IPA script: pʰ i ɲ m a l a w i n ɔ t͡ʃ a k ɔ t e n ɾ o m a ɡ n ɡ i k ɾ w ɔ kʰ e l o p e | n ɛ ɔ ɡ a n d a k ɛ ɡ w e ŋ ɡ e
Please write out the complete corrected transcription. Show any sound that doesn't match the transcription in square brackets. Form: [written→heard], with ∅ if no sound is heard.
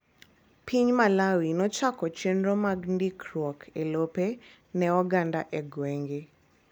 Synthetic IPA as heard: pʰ i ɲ m a l a w i n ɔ t͡ʃ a k ɔ [t→t͡ʃ] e n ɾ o m a ɡ n [ɡ→d] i k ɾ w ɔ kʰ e l o p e | n ɛ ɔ ɡ a n d a [k→ʔ] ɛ ɡ w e ŋ ɡ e